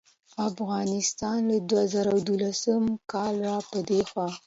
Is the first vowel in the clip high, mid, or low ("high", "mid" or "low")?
low